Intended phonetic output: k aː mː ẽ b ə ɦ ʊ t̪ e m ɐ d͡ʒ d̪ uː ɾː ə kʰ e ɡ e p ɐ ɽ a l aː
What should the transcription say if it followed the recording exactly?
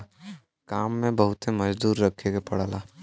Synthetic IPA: k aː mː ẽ b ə ɦ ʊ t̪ e m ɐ d͡ʒ d̪ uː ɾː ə kʰ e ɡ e p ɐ ɽ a l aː